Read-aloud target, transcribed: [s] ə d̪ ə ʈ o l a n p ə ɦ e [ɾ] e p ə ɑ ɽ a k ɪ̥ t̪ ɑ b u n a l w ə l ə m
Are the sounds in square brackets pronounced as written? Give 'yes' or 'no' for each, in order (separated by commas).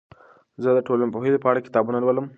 no, no